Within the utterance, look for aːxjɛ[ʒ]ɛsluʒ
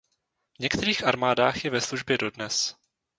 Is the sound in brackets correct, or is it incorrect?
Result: incorrect